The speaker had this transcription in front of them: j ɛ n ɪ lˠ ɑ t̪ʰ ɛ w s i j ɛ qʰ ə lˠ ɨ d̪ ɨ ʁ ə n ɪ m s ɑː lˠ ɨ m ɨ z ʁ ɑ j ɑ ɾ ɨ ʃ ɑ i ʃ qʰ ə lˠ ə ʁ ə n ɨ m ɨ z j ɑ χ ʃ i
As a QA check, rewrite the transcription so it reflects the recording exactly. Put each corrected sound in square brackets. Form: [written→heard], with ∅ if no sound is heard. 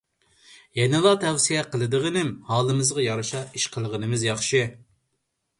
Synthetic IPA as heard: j ɛ n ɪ lˠ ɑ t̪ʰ ɛ w s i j ɛ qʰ ə lˠ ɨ d̪ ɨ ʁ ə n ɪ m [s→h] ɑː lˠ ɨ m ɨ z ʁ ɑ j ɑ ɾ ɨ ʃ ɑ i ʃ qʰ ə lˠ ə ʁ ə n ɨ m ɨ z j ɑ χ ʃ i